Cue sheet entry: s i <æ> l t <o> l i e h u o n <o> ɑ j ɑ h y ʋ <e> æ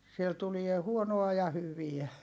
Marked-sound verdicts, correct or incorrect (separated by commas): incorrect, incorrect, correct, incorrect